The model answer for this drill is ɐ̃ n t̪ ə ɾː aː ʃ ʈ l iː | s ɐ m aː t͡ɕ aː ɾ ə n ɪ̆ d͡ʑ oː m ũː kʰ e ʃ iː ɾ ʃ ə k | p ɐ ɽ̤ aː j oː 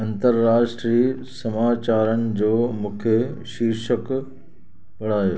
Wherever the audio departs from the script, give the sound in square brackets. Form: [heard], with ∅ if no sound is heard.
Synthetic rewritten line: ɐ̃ n t̪ ə ɾː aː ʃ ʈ [ɾ] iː | s ɐ m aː t͡ɕ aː ɾ ə n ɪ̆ d͡ʑ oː m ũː kʰ e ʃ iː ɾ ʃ ə k | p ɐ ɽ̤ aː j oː